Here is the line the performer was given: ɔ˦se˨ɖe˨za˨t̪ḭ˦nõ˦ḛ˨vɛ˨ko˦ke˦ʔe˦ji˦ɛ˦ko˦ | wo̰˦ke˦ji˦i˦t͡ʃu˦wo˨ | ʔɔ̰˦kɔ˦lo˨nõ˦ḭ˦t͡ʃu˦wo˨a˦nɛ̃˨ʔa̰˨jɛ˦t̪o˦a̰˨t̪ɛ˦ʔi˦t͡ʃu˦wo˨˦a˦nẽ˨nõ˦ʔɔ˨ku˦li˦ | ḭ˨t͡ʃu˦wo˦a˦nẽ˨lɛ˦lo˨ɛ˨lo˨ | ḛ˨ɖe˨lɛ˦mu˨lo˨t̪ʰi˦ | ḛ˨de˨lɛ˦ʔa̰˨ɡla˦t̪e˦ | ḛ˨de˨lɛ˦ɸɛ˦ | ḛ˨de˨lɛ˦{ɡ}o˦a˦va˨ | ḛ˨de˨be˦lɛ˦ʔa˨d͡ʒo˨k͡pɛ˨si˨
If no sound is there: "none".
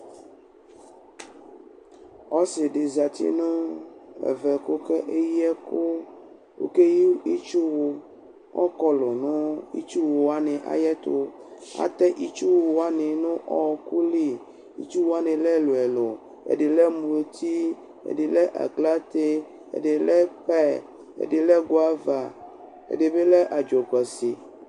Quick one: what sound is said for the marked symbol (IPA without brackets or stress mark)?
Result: ɡ